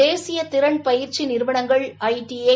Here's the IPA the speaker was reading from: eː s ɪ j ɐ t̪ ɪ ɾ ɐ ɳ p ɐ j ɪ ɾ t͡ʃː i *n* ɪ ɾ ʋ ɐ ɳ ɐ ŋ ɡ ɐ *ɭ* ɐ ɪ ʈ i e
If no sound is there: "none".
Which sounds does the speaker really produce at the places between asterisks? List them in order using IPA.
n, ɭ

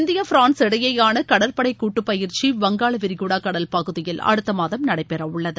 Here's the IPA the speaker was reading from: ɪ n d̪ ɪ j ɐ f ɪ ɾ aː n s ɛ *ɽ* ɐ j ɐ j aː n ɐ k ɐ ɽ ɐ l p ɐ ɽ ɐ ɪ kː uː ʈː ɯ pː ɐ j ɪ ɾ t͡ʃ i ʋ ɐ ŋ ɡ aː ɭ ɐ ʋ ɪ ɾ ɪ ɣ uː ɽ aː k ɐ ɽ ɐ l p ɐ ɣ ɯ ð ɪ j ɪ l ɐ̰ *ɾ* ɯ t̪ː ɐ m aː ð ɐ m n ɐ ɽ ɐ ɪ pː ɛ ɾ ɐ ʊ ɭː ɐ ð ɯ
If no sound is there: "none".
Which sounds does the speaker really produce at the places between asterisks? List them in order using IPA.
ɽ, ɽ

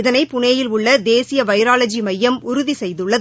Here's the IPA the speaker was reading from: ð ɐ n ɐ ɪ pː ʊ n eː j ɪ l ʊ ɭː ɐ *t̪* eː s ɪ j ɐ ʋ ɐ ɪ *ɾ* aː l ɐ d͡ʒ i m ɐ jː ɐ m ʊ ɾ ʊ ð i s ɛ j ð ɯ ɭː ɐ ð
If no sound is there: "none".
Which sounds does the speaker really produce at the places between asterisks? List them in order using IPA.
d̪, ɾ

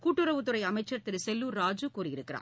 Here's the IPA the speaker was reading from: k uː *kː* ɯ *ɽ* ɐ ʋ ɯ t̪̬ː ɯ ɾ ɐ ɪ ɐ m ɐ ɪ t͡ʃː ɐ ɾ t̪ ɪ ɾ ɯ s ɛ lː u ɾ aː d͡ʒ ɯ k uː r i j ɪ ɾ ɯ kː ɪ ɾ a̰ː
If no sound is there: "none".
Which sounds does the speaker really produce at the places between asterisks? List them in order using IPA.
ʈː, ɾ

